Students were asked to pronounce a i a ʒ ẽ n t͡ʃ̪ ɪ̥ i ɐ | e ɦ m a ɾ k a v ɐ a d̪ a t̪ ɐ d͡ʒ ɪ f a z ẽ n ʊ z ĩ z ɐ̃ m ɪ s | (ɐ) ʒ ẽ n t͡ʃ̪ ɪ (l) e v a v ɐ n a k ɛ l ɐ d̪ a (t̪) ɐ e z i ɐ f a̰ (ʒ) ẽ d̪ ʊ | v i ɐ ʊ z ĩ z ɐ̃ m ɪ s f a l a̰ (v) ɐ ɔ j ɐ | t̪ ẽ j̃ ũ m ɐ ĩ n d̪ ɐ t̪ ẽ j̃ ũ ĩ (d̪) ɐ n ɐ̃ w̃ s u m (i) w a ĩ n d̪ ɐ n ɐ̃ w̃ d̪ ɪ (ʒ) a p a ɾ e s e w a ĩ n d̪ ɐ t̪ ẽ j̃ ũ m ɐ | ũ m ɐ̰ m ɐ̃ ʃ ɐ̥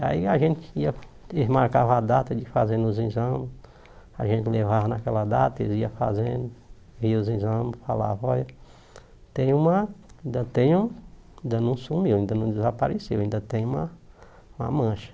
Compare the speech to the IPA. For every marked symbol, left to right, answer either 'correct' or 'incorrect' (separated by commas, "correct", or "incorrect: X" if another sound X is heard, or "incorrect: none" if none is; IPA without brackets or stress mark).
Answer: incorrect: a, correct, correct, incorrect: z, correct, correct, correct, incorrect: z